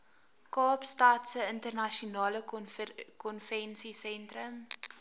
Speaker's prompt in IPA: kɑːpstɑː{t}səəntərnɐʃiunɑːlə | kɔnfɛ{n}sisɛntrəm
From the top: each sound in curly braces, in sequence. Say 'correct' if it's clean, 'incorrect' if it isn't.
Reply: correct, correct

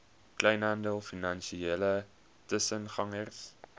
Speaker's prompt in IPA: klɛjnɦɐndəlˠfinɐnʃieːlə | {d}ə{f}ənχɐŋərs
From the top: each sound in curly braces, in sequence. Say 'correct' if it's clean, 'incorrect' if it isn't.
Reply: incorrect, incorrect

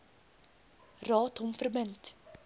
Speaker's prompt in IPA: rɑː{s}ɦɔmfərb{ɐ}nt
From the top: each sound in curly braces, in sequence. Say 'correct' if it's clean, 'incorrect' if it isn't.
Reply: incorrect, incorrect

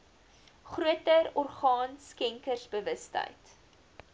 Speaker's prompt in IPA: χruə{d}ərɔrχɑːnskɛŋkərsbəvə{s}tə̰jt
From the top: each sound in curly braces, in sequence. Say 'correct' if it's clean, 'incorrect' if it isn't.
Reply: incorrect, correct

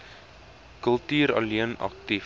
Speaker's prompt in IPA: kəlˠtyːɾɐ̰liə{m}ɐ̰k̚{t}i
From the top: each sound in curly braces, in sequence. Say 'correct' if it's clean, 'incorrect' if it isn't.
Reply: incorrect, correct

